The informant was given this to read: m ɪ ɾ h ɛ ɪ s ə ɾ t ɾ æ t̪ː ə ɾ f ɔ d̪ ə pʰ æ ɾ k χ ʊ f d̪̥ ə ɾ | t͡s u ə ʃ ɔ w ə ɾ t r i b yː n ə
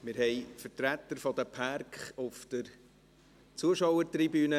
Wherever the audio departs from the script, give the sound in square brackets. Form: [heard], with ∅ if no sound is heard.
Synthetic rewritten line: m ɪ ɾ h ɛ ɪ [f] ə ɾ t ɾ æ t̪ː ə ɾ f ɔ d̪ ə pʰ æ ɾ k χ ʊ f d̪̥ ə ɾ | t͡s u ə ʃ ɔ w ə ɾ t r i b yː n ə